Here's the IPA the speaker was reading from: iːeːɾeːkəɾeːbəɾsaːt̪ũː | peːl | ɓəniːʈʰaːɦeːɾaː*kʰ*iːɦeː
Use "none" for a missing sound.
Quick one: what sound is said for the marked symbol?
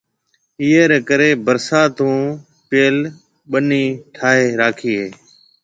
kʰ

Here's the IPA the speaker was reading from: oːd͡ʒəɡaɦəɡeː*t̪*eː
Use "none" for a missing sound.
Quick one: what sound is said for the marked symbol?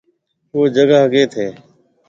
t̪ʰ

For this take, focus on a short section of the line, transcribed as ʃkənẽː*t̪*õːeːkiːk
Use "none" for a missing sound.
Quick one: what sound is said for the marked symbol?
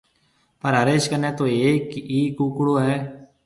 t̪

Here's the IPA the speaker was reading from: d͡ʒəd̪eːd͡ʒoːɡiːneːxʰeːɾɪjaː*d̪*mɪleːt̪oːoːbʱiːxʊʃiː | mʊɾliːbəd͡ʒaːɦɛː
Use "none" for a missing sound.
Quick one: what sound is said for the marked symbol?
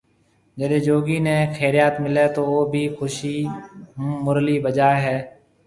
t̪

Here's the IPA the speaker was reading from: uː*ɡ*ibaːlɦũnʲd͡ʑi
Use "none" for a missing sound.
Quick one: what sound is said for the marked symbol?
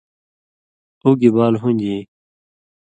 ɡ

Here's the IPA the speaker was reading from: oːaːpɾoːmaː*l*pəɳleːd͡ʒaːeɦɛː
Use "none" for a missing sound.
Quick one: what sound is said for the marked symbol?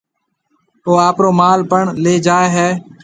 l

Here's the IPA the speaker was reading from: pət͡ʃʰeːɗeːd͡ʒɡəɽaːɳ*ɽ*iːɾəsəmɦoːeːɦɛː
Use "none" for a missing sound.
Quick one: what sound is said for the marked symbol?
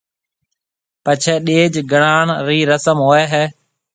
ɾ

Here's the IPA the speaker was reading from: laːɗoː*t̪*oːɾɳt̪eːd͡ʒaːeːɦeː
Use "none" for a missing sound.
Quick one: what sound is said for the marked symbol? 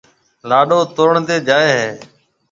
t̪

